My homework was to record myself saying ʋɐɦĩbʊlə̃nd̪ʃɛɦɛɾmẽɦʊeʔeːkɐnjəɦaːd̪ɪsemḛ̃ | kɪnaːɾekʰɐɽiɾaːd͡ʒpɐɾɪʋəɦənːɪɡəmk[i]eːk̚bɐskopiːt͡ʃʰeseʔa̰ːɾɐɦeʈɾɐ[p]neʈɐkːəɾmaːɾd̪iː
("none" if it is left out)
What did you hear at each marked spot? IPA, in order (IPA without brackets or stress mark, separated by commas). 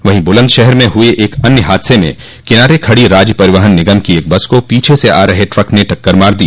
i, k